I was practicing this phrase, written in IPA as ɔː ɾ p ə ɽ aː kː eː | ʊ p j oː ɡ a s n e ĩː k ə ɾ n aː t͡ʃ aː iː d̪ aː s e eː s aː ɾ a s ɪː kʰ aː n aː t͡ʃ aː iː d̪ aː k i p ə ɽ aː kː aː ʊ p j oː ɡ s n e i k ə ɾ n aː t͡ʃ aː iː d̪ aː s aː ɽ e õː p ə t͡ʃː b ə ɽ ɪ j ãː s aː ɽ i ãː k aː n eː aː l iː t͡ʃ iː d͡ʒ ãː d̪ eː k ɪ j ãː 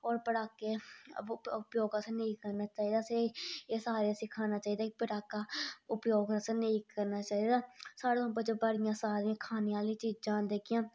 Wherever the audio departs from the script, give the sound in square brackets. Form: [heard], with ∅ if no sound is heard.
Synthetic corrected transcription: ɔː ɾ p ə ɽ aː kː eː | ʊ p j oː ɡ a s n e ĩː k ə ɾ n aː t͡ʃ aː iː d̪ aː s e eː s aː ɾ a s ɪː kʰ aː n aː t͡ʃ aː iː d̪ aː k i p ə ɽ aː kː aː ʊ p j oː ɡ s n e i k ə ɾ n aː t͡ʃ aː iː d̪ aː s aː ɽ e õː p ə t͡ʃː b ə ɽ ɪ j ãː s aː [ɾ] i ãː [kʰ] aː n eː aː l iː t͡ʃ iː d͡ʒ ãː d̪ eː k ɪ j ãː

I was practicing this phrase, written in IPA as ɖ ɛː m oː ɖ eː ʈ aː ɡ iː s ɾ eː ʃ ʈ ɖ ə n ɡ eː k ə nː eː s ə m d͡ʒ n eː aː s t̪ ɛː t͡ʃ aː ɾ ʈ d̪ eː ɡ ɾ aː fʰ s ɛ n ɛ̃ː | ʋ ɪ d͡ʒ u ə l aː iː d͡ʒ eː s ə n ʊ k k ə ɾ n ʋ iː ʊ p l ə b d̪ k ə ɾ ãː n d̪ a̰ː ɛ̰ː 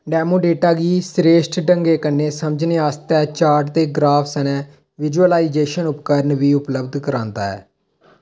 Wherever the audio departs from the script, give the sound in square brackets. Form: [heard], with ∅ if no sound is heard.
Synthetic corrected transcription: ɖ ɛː m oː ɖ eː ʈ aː ɡ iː s ɾ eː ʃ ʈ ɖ ə [ŋ] ɡ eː k ə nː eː s ə m d͡ʒ n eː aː s t̪ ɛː t͡ʃ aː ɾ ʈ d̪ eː ɡ ɾ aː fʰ s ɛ n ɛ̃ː | ʋ ɪ d͡ʒ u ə l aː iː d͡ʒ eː [ʃ] ə n ʊ [p] k ə ɾ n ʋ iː ʊ p l ə b d̪ k ə ɾ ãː n d̪ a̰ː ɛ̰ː

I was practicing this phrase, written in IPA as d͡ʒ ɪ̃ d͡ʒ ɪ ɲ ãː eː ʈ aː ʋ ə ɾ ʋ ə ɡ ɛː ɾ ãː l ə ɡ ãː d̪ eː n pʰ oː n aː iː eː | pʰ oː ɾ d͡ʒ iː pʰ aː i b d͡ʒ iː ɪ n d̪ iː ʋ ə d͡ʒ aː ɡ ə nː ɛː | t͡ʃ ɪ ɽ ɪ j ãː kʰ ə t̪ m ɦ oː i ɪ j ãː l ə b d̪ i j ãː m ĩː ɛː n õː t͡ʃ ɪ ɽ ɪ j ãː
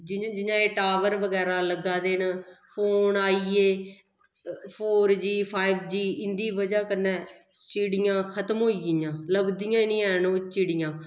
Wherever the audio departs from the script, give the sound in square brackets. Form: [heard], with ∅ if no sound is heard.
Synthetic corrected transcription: d͡ʒ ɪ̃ d͡ʒ ɪ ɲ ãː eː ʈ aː ʋ ə ɾ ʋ ə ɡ ɛː ɾ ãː l ə ɡ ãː d̪ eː n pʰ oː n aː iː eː | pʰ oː ɾ d͡ʒ iː pʰ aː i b d͡ʒ iː ɪ n d̪ iː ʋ ə d͡ʒ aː [k] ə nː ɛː | t͡ʃ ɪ ɽ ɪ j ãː kʰ ə t̪ m ɦ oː i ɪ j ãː l ə b d̪ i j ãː [n] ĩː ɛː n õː t͡ʃ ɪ ɽ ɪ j ãː

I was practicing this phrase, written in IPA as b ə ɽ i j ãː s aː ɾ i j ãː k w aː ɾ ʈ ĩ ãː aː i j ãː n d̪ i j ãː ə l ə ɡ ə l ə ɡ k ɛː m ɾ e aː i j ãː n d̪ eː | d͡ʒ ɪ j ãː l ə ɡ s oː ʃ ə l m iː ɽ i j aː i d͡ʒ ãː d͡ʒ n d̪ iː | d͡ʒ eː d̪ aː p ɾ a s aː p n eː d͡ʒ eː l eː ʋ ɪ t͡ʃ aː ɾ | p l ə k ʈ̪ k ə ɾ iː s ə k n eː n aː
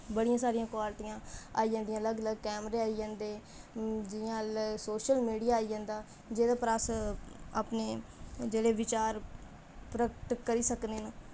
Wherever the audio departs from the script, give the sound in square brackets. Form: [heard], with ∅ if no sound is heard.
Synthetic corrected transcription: b ə ɽ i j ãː s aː ɾ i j ãː k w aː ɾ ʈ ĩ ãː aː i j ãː n d̪ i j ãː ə l ə ɡ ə l ə ɡ k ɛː m ɾ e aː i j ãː n d̪ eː | d͡ʒ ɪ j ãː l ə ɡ s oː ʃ ə l m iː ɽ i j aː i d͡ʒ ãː [∅] n d̪ [aː] | d͡ʒ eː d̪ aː p ɾ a s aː p n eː d͡ʒ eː [ɽ] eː ʋ ɪ t͡ʃ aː ɾ | p [ɾ] ə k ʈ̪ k ə ɾ iː s ə k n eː n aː

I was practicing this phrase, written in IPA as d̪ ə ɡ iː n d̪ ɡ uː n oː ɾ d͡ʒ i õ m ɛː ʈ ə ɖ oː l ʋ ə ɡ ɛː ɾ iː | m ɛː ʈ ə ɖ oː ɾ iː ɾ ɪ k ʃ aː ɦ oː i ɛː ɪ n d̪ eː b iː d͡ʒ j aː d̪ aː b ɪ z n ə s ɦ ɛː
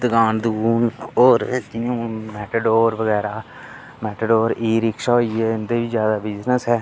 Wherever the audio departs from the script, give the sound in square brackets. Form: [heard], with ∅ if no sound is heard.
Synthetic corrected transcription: d̪ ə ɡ [aː] n d̪ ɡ uː n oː ɾ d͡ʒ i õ m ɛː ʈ ə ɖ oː [ɾ] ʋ ə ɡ ɛː ɾ [aː] | m ɛː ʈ ə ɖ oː ɾ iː ɾ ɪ k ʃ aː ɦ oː i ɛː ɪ n d̪ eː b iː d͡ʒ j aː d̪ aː b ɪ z n ə s ɦ ɛː

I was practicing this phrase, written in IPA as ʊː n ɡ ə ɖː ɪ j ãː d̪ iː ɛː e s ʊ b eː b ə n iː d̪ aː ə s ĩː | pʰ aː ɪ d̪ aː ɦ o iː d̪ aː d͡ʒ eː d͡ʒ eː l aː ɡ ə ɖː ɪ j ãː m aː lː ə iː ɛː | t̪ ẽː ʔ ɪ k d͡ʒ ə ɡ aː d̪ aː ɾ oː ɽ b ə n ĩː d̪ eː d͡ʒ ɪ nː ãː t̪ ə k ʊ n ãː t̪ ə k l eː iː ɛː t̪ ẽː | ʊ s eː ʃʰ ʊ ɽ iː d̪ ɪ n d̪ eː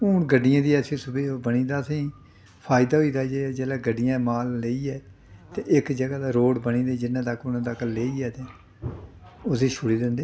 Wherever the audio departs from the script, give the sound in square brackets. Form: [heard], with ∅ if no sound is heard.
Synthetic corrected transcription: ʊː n ɡ ə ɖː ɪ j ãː d̪ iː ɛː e s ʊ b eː b ə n iː d̪ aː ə s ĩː | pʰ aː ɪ d̪ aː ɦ o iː d̪ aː d͡ʒ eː d͡ʒ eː l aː ɡ ə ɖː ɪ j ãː m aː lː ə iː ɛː | t̪ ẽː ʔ ɪ k d͡ʒ ə ɡ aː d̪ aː ɾ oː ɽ b ə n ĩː d̪ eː d͡ʒ ɪ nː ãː t̪ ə k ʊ n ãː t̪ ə k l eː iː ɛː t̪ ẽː | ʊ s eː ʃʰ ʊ ɽ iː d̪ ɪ n d̪ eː

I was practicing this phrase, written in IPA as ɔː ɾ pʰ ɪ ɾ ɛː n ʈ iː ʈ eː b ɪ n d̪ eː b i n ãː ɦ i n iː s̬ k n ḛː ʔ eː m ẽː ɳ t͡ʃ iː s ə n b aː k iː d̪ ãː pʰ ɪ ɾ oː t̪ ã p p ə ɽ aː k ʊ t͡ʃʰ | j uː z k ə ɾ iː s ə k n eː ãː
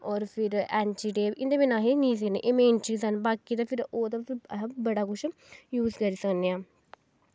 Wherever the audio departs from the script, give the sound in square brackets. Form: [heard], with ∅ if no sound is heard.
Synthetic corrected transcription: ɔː ɾ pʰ ɪ ɾ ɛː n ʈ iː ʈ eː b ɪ n d̪ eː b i n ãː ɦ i n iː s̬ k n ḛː ʔ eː m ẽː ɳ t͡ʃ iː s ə n b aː k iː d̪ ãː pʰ ɪ ɾ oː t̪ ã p [b] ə ɽ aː k ʊ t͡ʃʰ | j uː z k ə ɾ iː s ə k n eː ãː

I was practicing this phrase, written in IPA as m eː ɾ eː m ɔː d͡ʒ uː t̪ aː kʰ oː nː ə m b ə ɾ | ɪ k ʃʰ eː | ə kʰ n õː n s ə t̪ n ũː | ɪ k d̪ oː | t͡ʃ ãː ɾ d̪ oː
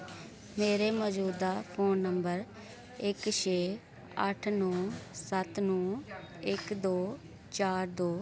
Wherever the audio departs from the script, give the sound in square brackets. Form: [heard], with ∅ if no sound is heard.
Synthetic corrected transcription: m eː ɾ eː m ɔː d͡ʒ uː [d̪] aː [pʰ] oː nː ə m b ə ɾ | ɪ k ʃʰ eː | ə [ʈʰ] n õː [∅] s ə t̪ n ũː | ɪ k d̪ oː | t͡ʃ [aː] ɾ d̪ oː

